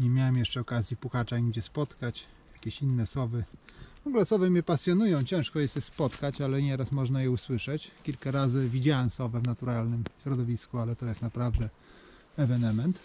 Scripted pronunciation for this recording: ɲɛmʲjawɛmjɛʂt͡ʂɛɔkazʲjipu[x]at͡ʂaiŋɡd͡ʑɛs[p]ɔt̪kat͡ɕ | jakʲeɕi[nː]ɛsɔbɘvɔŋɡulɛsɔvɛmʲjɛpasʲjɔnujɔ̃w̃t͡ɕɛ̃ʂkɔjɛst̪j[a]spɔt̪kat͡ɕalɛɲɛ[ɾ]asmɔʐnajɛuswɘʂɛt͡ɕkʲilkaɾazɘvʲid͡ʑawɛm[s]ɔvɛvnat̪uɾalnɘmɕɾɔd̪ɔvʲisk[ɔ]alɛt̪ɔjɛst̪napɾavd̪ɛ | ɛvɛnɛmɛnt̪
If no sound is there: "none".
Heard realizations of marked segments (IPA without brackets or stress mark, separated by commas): x, p, nː, ɛ, ɾ, s, u